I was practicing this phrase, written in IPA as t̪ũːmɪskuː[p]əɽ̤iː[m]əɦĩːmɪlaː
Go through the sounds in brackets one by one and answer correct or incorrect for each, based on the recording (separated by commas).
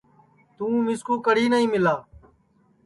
incorrect, incorrect